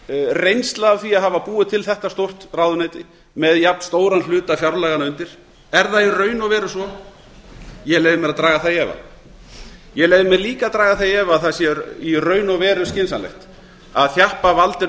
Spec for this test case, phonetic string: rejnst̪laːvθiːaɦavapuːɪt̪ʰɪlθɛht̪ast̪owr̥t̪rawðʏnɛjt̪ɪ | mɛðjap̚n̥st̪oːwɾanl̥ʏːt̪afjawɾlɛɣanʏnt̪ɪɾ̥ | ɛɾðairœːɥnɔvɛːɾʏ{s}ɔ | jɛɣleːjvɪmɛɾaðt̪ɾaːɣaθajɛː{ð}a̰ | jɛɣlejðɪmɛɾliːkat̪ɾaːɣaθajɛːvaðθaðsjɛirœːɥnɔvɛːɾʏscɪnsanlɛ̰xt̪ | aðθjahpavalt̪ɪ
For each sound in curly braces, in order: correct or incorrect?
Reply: correct, incorrect: v

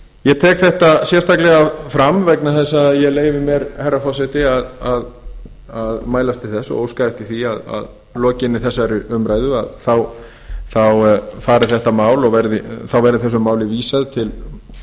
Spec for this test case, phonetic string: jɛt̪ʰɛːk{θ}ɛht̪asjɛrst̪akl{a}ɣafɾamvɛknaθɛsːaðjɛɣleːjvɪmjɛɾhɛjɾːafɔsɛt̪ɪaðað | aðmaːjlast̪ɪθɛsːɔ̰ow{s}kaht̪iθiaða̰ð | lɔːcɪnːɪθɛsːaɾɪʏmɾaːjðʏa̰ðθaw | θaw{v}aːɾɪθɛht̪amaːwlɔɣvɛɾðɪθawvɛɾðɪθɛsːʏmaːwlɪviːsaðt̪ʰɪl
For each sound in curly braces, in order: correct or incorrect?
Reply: correct, incorrect: ɛ, correct, incorrect: f

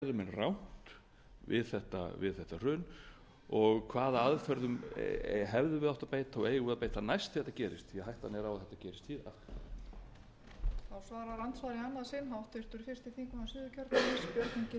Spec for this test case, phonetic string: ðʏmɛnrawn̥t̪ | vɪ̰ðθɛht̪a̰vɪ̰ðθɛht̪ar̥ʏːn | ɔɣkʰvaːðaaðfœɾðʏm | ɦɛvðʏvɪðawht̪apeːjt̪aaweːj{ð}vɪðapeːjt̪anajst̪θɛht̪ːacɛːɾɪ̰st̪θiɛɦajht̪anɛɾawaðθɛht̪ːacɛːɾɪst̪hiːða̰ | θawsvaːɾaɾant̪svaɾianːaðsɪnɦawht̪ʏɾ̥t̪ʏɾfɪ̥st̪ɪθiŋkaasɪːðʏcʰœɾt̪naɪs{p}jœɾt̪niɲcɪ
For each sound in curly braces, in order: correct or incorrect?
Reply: incorrect: ɣ, correct

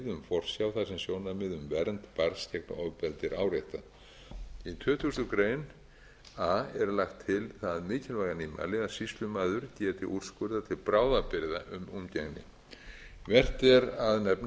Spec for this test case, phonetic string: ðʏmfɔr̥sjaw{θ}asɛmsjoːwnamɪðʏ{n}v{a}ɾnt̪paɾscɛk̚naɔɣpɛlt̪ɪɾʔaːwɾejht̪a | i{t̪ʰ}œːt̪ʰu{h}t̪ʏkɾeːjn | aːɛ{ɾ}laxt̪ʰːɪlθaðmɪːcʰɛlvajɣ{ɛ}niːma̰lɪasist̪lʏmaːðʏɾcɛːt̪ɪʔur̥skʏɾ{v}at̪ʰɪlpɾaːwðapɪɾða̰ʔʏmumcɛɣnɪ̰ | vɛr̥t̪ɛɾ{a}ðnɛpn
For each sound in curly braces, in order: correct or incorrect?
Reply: correct, incorrect: m, incorrect: ɛ, correct, incorrect: s, correct, incorrect: a, incorrect: ð, correct

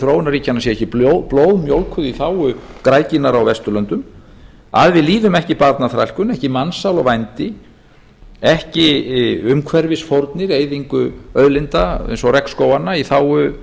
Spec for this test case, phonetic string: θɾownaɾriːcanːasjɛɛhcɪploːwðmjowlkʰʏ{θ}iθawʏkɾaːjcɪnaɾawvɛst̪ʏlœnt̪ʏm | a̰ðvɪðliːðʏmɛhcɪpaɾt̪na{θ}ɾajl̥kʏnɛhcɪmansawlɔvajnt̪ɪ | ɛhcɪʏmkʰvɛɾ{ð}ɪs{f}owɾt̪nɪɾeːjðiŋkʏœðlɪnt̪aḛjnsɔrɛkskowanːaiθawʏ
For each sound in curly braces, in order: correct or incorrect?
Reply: incorrect: ð, correct, incorrect: v, correct

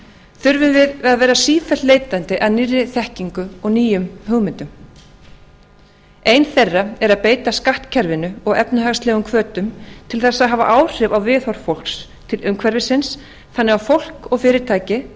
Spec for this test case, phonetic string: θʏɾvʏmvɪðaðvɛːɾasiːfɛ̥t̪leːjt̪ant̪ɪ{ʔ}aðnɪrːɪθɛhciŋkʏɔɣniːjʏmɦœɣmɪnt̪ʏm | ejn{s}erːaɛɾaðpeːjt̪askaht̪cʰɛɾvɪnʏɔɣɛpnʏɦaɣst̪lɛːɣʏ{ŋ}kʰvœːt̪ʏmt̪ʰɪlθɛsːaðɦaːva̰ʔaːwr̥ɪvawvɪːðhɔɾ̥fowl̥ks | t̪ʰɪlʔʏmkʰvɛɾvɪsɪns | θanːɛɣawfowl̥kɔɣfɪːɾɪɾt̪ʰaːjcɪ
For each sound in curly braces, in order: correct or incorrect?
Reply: correct, incorrect: θ, incorrect: m

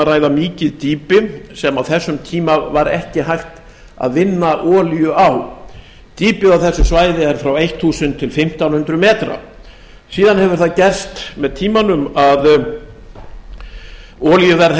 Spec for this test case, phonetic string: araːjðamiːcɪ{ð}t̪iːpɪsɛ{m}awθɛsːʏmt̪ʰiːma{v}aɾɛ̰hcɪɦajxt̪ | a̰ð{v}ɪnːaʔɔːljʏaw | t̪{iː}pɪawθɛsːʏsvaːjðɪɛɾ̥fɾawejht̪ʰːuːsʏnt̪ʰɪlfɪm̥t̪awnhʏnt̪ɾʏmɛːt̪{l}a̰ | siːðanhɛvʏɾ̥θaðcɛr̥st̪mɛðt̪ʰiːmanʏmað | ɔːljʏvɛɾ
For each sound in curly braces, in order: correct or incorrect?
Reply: correct, correct, correct, correct, correct, incorrect: ɾ

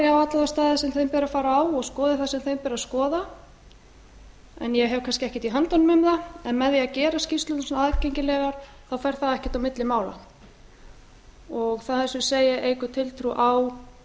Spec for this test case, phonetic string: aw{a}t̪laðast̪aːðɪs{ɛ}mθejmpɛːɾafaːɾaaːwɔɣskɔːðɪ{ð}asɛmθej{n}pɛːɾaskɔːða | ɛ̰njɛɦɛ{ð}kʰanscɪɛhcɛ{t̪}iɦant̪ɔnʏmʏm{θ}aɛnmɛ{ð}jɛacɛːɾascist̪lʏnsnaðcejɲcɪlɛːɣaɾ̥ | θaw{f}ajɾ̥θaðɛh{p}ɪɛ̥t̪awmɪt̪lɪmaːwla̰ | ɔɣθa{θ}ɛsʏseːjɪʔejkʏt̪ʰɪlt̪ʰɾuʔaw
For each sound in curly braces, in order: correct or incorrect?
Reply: correct, correct, incorrect: θ, incorrect: m, incorrect: v, correct, incorrect: ð, correct, correct, incorrect: c, correct

